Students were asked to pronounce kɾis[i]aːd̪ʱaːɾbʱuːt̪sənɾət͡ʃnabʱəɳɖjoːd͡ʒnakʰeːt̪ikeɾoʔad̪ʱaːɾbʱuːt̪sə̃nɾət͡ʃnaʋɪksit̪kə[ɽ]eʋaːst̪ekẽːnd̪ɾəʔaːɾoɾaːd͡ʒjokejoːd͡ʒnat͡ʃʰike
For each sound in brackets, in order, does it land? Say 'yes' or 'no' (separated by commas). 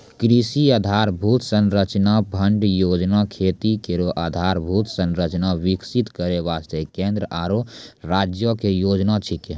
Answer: yes, no